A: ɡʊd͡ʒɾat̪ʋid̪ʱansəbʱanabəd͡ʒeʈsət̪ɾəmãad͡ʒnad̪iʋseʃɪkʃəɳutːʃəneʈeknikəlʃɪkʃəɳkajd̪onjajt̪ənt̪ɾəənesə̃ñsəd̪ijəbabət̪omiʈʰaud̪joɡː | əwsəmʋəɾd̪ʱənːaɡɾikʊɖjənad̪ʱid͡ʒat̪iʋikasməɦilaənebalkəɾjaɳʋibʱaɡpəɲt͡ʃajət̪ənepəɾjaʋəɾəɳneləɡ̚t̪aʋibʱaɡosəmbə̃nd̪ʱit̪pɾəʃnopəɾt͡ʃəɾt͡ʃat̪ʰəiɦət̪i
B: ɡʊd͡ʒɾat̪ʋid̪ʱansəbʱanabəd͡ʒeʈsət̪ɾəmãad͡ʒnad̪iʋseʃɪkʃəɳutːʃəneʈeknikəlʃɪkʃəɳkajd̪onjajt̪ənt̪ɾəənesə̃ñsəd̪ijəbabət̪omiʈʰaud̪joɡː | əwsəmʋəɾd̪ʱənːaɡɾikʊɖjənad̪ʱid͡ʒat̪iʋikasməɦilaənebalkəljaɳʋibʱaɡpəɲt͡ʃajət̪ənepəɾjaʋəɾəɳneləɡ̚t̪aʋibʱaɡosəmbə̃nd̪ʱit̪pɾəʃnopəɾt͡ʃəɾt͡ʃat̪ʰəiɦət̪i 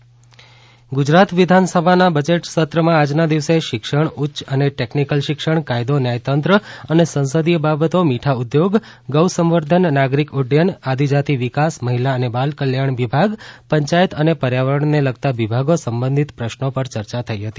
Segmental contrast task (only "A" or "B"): B